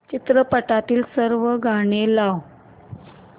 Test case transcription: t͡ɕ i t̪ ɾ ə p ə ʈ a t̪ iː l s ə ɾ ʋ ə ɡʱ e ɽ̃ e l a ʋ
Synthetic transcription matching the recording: t͡ɕ i t̪ ɾ ə p ə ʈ a t̪ iː l s ə ɾ ʋ ə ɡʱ a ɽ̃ e l a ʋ